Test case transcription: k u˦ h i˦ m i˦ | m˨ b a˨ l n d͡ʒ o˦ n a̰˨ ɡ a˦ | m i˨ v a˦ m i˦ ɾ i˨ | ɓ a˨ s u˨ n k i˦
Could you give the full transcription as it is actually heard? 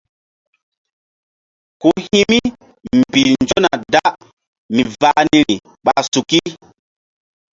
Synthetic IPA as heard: k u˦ h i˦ m i˦ | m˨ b i˨ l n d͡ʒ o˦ n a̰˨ d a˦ | m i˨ v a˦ n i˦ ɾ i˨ | ɓ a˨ s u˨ k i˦